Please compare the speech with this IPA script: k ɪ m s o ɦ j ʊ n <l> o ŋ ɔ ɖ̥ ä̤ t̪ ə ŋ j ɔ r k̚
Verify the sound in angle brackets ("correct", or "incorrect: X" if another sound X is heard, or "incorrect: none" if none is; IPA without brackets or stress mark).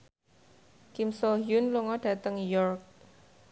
correct